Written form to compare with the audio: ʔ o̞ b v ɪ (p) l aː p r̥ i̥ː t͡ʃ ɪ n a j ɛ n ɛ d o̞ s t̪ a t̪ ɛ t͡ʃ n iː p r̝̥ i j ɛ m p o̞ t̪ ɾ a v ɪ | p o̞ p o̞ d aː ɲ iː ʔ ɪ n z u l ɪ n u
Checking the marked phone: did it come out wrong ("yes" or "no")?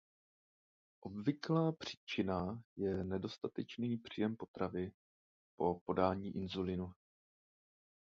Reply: yes